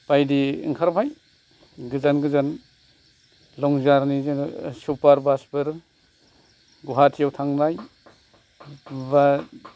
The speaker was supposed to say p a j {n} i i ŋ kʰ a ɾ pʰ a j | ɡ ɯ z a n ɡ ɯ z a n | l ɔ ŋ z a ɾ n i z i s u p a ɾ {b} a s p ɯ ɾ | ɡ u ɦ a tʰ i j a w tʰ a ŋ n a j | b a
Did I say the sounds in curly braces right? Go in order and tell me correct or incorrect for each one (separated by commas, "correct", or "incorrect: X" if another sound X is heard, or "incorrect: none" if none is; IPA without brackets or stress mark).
incorrect: d, correct